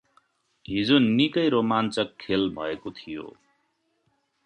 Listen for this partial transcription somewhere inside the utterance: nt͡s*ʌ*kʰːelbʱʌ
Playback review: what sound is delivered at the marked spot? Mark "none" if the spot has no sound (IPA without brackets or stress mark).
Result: ʌ